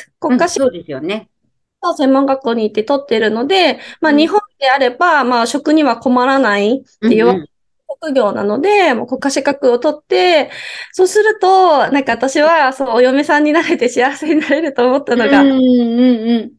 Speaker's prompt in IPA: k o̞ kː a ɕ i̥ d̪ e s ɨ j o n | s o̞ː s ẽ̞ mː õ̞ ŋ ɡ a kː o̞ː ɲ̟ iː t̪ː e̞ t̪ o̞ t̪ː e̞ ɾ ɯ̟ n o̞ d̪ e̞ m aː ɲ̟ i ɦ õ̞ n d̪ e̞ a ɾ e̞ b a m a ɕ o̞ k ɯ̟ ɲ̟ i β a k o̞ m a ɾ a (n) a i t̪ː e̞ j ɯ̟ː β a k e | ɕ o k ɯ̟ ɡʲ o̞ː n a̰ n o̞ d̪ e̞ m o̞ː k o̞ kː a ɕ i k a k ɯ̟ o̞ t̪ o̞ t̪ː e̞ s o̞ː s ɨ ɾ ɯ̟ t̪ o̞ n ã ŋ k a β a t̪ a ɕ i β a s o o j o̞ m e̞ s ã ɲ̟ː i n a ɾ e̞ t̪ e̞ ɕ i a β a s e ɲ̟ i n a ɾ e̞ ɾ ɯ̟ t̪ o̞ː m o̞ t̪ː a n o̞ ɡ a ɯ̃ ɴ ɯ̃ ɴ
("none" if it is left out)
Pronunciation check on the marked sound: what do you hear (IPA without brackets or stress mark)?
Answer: n